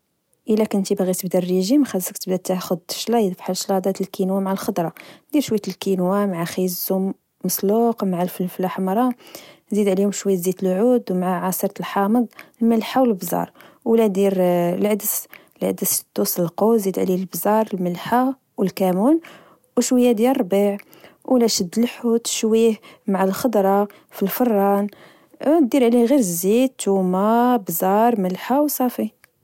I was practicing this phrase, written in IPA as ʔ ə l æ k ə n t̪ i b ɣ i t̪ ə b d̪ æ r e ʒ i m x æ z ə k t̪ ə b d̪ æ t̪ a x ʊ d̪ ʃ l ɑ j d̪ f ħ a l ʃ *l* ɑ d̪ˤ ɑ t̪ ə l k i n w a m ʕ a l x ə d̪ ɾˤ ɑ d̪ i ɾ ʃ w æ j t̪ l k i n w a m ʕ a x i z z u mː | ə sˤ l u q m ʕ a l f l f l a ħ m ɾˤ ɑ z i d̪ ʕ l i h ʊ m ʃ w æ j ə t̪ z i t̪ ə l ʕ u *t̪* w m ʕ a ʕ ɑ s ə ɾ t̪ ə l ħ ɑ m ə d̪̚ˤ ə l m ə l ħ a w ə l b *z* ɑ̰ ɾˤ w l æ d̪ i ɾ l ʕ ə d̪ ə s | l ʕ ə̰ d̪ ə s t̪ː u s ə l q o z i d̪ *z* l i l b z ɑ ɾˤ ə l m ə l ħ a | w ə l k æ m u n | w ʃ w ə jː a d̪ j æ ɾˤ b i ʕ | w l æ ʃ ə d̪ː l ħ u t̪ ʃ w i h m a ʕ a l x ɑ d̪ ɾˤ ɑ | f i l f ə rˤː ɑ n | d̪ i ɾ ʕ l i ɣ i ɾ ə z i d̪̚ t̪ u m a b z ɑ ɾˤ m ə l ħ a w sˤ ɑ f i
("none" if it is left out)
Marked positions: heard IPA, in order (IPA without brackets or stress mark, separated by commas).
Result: l, d̪, z, ʕ